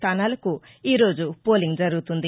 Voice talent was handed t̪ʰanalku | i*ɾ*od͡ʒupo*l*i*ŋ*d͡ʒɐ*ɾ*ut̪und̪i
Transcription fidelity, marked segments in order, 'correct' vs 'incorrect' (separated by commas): correct, correct, correct, correct